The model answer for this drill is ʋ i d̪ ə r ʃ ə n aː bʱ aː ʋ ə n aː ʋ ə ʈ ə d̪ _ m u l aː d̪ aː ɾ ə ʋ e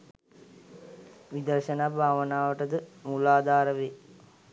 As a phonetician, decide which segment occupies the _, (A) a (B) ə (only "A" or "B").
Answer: B